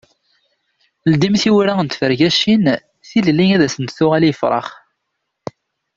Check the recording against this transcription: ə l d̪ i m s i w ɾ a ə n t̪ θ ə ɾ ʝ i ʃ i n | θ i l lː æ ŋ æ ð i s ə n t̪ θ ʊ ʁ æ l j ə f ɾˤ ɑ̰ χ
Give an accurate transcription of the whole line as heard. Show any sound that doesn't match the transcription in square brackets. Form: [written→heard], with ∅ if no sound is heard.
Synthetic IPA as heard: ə l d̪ i m [s→θ] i w ɾ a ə n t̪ [θ→f] ə ɾ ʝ [i→æ] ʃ i n | θ i l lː [æ→i] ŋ æ ð [i→æ] s ə n t̪ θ ʊ ʁ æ l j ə f ɾˤ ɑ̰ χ